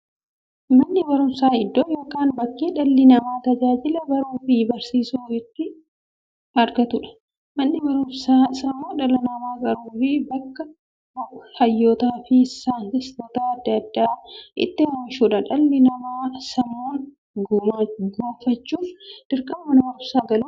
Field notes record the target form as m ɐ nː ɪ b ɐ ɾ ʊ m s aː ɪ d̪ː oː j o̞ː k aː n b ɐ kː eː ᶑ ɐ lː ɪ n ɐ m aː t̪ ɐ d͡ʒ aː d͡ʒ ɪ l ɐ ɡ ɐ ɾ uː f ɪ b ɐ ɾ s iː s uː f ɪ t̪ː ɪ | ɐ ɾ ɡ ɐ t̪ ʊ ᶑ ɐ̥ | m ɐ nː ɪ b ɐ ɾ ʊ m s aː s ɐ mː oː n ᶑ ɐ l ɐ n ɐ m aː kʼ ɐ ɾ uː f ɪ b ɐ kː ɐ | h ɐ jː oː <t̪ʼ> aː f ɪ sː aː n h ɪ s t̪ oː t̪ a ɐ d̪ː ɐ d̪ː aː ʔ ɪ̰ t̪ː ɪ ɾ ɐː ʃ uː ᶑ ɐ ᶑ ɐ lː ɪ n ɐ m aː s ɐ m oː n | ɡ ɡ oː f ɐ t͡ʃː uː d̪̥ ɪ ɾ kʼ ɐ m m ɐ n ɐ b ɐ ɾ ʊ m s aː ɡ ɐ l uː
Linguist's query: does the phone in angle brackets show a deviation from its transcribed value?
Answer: yes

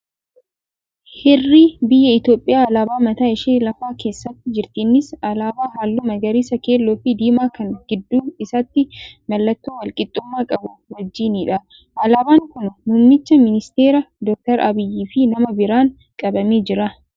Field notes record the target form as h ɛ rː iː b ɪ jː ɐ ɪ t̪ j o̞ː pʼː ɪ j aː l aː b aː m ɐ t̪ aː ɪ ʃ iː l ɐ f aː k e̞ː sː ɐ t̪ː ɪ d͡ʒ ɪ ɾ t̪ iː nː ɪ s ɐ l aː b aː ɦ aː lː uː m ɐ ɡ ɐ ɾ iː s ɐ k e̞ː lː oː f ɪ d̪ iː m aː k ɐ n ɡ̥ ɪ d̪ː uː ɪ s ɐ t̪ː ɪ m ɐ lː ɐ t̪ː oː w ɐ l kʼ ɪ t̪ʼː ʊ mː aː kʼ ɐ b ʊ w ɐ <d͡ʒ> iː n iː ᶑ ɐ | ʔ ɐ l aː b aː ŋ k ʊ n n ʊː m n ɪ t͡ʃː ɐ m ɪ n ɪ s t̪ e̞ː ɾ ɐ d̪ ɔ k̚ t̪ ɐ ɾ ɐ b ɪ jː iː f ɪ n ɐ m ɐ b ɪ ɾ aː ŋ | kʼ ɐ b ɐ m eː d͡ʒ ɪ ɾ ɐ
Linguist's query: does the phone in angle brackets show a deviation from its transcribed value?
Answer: yes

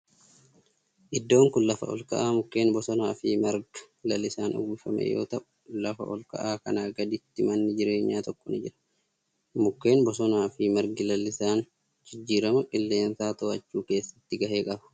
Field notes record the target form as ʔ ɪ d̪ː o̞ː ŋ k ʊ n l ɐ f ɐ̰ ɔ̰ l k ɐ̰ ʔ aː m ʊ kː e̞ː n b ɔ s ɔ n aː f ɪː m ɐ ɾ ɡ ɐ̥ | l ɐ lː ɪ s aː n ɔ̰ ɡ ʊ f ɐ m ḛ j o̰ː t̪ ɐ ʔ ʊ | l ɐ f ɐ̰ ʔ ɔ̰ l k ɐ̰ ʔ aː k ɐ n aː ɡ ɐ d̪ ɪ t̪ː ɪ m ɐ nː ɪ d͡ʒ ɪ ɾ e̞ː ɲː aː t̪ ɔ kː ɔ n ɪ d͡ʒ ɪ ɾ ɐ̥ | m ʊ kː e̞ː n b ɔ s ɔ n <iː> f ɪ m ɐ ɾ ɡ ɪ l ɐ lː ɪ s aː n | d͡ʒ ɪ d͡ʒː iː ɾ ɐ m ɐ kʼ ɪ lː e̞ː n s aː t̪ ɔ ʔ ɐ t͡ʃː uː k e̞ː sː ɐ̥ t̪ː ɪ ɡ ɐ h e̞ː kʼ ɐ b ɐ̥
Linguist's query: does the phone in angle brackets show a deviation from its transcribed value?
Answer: yes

